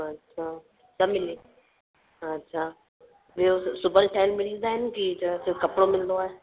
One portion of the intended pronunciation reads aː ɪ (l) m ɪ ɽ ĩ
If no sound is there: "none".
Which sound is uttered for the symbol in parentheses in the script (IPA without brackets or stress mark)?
l